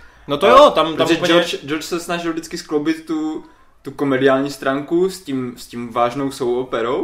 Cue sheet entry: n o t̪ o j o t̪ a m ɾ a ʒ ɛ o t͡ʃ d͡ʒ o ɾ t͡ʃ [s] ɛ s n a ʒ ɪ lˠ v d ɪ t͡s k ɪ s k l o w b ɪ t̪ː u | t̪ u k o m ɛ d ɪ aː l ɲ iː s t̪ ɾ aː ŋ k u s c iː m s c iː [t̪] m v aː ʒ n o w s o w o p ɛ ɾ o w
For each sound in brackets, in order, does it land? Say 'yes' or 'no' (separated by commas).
yes, no